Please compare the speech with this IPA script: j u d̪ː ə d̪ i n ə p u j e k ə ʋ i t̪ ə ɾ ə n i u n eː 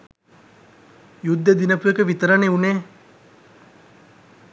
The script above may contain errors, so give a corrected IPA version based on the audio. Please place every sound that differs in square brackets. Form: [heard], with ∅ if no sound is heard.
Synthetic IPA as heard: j u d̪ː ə d̪ i n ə p u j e k ə ʋ i t̪ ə ɾ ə n [e] u n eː

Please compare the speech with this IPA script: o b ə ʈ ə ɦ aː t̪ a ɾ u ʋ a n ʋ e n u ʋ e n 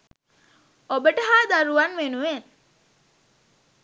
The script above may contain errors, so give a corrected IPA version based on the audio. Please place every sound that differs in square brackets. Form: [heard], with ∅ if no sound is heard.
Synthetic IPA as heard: o b ə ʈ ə ɦ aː [d̪] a ɾ u ʋ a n ʋ e n u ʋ e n

